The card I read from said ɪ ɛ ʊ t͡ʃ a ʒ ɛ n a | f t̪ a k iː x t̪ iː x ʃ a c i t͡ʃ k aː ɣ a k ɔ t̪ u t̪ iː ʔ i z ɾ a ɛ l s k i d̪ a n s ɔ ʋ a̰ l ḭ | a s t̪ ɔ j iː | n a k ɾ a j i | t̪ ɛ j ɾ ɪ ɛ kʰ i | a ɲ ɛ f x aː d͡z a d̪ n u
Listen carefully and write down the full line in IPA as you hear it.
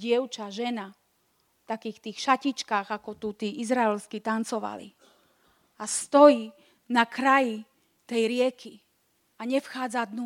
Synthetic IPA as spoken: ɪ ɛ ʊ t͡ʃ a ʒ ɛ n a | f t̪ a k iː x t̪ iː x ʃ a c i t͡ʃ k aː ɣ a k ɔ t̪ u t̪ iː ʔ i z ɾ a ɛ l s k i t̪ a n t͡s ɔ ʋ a̰ l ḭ | a s t̪ ɔ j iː | n a k ɾ a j i | t̪ ɛ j ɾ ɪ ɛ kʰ i | a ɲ ɛ f x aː d͡z a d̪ n u